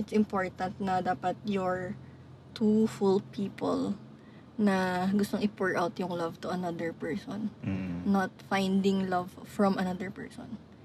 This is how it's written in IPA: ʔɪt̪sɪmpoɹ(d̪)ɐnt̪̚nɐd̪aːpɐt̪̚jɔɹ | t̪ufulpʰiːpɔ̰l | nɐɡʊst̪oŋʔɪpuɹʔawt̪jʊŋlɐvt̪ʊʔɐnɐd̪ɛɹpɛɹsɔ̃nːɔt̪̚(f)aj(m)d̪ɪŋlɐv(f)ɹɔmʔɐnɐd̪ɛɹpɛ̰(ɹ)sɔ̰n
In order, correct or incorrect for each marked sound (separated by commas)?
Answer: incorrect, correct, incorrect, correct, correct